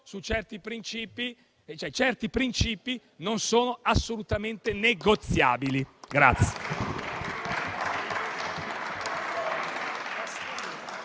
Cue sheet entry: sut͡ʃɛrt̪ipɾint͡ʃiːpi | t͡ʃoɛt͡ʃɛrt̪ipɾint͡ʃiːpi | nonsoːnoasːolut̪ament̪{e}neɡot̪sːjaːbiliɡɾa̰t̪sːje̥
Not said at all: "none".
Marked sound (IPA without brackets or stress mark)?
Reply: e